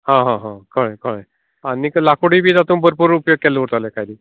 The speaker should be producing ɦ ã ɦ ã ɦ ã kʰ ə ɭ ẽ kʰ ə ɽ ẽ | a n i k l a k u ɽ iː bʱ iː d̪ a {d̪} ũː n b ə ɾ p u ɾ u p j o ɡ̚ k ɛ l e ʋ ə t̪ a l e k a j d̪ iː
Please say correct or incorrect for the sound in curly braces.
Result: incorrect